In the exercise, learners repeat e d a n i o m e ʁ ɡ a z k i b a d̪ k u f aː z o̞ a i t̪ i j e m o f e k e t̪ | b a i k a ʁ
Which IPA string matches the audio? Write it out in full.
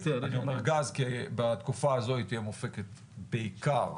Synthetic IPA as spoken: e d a n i o m e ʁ ɡ a z k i b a t̪ k u f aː z o̞ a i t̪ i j e m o f e k e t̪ | b e i k a ʁ